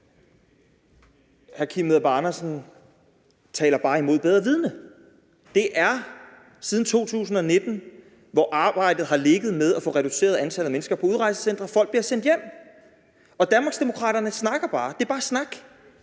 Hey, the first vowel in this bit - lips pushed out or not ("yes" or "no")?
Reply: no